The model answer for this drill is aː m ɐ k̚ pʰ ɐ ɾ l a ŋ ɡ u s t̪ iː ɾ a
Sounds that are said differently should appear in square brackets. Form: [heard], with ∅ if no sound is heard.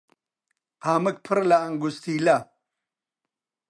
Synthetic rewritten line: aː m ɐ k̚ pʰ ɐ ɾ l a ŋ ɡ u s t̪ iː [l] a